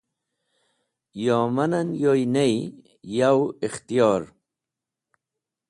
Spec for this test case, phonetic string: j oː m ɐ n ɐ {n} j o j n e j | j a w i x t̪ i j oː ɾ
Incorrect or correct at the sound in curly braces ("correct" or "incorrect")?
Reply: correct